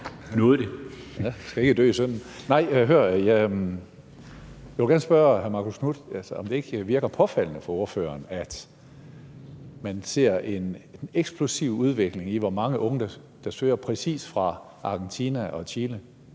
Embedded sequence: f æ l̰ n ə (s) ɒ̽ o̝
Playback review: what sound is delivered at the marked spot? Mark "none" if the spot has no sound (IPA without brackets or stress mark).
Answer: f